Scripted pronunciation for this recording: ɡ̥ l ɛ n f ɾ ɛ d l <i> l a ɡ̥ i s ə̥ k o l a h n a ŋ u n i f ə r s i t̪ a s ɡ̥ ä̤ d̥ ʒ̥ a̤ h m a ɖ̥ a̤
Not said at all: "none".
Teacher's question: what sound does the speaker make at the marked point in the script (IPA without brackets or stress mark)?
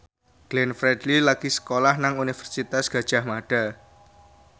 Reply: i